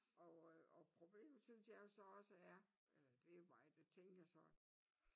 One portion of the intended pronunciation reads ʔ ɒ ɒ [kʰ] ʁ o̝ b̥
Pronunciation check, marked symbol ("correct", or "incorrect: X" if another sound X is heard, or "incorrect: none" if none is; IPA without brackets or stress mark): incorrect: pʰ